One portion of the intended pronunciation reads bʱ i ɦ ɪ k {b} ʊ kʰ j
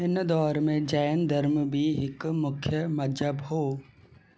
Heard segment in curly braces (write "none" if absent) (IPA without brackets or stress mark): m